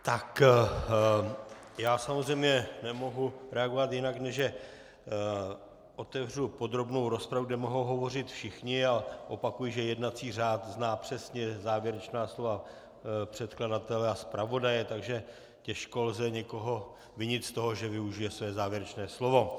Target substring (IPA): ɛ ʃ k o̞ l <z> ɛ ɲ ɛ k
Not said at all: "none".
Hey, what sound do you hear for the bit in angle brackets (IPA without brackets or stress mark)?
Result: z